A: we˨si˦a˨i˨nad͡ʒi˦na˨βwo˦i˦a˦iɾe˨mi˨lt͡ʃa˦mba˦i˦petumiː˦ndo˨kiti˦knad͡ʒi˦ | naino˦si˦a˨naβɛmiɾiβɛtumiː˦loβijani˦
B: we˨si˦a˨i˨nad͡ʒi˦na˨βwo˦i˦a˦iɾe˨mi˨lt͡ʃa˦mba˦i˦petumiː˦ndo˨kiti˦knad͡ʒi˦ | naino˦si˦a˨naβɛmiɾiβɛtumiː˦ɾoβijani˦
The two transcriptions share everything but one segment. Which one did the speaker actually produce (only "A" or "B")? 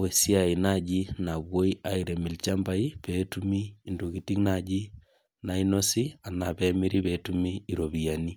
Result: B